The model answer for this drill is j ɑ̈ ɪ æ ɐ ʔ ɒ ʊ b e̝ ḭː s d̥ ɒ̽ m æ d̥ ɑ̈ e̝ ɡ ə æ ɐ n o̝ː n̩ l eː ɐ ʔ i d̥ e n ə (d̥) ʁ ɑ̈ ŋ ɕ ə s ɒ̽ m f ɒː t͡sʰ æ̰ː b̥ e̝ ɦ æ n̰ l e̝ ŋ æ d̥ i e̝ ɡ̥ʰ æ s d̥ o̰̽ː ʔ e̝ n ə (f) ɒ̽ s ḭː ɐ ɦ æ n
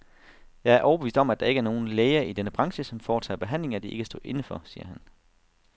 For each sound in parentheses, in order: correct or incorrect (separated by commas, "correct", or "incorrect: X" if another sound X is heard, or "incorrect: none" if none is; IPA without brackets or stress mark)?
incorrect: b̥, correct